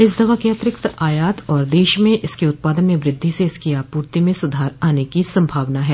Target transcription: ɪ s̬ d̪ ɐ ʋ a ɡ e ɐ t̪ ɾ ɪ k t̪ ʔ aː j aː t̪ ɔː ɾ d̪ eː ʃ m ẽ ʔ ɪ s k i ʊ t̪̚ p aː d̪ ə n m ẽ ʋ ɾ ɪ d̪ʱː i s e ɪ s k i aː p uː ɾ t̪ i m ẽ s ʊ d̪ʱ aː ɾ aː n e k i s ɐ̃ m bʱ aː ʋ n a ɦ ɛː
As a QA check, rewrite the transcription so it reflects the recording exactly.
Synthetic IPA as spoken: ɪ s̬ d̪ ɐ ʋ a k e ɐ t̪ ɾ ɪ k t̪ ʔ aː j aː t̪ ɔː ɾ d̪ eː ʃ m ẽ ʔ ɪ s k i ʊ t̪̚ p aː d̪ ə n m ẽ ʋ ɾ ɪ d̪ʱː i s e ɪ s k i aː p uː ɾ t̪ i m ẽ s ʊ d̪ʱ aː ɾ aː n e k i s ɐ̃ m bʱ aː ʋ n a ɦ ɛː